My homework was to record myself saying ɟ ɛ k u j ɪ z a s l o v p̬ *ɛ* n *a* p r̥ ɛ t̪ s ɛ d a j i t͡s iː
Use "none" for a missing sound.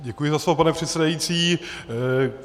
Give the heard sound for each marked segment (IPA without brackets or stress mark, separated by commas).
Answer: a, ɛ